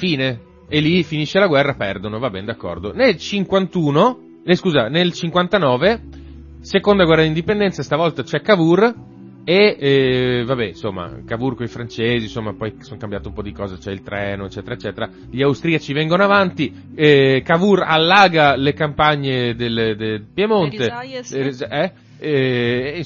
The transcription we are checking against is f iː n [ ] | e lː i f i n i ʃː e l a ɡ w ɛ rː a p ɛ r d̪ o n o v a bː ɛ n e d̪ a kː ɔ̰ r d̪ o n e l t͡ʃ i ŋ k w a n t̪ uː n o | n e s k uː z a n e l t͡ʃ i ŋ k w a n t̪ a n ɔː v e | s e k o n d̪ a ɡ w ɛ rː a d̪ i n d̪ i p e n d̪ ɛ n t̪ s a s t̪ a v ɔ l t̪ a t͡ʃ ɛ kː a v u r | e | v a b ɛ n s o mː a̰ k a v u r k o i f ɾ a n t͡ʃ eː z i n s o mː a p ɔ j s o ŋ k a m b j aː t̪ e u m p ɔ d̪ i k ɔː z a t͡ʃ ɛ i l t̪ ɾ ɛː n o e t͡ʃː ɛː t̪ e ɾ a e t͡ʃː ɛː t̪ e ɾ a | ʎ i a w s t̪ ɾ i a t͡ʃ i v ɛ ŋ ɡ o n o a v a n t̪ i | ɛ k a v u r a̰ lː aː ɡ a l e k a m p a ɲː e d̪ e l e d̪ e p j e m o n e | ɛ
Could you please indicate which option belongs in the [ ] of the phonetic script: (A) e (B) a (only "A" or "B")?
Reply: A